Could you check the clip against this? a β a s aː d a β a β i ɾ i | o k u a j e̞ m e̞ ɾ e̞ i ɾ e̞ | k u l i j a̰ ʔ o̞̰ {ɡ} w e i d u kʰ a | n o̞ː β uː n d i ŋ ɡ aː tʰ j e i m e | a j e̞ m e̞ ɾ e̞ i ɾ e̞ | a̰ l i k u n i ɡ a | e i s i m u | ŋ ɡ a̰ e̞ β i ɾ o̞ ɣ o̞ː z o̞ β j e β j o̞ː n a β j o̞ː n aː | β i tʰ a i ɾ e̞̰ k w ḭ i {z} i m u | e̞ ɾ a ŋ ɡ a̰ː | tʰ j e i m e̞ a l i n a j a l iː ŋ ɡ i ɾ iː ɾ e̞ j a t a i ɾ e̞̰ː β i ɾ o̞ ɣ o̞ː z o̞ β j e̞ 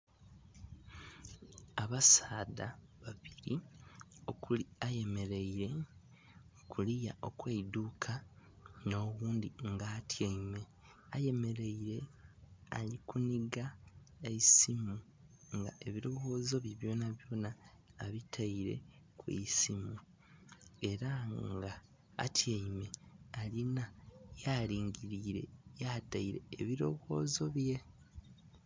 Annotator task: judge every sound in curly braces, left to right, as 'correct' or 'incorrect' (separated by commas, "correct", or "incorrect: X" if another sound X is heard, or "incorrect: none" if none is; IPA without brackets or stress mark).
incorrect: k, incorrect: s